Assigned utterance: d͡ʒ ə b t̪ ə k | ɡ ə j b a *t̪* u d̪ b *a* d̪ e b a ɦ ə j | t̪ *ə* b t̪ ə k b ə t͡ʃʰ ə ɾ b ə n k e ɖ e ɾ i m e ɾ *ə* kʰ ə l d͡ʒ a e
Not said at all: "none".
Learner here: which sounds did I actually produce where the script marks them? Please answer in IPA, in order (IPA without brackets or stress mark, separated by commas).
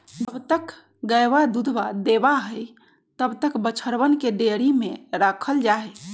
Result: d̪, a, ə, a